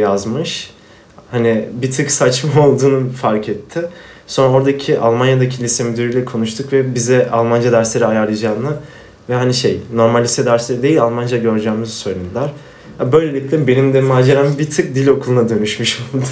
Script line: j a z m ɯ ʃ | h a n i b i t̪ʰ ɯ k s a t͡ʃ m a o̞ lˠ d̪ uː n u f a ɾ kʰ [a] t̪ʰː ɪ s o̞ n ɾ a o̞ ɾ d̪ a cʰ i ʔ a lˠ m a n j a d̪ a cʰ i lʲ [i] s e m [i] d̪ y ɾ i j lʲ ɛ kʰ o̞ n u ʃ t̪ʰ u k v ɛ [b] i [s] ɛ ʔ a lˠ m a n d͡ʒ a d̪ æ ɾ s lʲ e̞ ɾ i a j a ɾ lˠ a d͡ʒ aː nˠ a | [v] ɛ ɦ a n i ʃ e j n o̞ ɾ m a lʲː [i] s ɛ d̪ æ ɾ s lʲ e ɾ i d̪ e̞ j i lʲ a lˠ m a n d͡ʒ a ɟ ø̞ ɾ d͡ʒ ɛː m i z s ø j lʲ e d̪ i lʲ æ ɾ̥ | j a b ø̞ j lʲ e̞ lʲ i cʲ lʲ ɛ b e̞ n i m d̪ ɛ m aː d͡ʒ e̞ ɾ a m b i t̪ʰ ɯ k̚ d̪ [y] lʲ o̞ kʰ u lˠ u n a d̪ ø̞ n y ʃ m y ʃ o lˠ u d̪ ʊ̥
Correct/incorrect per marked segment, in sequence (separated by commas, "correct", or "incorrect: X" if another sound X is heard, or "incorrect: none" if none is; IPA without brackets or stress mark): incorrect: ɛ, correct, incorrect: y, correct, incorrect: z, correct, correct, incorrect: i